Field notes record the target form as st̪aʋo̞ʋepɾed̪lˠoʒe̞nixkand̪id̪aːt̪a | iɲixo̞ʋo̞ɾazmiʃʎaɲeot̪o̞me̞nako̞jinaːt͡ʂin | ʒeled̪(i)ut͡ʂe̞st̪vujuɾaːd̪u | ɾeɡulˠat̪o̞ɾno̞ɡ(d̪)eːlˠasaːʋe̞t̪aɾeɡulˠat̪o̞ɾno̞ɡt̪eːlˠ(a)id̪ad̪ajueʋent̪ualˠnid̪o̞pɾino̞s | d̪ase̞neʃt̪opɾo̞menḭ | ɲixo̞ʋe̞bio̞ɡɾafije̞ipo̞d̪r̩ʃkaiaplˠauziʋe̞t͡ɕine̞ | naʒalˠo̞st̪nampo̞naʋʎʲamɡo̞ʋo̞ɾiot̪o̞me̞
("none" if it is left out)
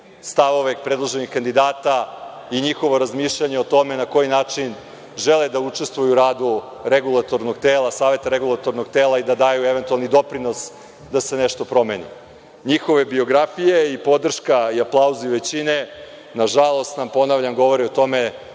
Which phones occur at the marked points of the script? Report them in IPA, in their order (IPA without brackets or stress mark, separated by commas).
a, t̪, a